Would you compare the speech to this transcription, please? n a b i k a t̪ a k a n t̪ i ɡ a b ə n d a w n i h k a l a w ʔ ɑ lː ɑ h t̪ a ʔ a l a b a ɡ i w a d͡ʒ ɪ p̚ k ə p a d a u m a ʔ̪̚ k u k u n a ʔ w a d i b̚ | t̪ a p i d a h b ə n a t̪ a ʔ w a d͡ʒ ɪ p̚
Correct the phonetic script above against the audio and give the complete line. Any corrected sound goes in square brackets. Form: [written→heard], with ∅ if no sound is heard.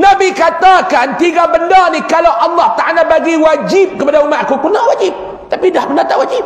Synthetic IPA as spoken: n a b i k a t̪ a k a n t̪ i ɡ a b ə n d a [w→∅] n i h k a l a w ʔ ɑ lː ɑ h t̪ a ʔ a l a b a ɡ i w a d͡ʒ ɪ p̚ k ə p a d a u m a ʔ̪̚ k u k u n a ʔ w a [d→d͡ʒ] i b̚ | t̪ a p i d a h b ə n a t̪ a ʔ w a d͡ʒ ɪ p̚